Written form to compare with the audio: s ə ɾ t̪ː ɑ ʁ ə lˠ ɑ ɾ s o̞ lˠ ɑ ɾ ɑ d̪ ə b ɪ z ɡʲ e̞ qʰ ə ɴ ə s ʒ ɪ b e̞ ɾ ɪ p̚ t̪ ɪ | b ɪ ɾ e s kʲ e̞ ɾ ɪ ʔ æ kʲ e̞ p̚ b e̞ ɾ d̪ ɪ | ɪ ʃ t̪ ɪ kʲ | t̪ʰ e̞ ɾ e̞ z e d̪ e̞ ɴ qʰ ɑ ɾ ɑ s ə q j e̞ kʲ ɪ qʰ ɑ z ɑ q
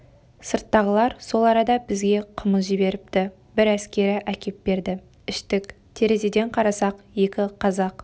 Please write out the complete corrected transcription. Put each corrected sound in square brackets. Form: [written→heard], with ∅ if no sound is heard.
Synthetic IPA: s ə ɾ t̪ː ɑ ʁ ə lˠ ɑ ɾ s o̞ lˠ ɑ ɾ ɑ d̪ [ə→ɑ] b ɪ z ɡʲ e̞ qʰ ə [ɴ→m] ə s ʒ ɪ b e̞ ɾ ɪ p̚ t̪ ɪ | b ɪ ɾ [e→æ] s kʲ e̞ ɾ ɪ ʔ æ kʲ e̞ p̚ b e̞ ɾ d̪ ɪ | ɪ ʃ t̪ ɪ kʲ | t̪ʰ e̞ ɾ e̞ z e d̪ e̞ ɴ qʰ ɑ ɾ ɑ s [ə→ɑ] q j e̞ kʲ ɪ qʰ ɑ z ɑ q